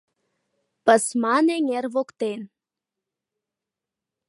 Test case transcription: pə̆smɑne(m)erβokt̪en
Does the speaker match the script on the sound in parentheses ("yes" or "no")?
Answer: no